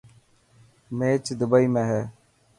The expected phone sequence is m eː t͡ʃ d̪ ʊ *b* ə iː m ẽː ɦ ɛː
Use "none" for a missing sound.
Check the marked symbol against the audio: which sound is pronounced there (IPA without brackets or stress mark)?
b